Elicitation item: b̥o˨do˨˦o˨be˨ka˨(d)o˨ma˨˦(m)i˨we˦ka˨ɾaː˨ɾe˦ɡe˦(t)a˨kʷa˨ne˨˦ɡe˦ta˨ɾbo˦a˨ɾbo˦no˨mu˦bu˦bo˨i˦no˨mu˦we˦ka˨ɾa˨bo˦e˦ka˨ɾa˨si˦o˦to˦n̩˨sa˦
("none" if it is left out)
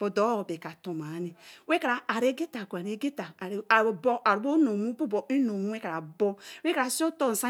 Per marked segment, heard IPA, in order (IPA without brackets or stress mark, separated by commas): t, n, t